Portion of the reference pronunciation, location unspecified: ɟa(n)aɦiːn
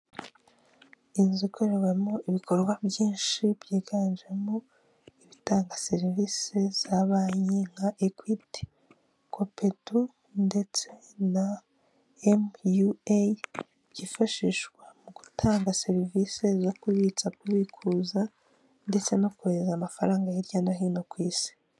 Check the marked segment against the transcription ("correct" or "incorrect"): correct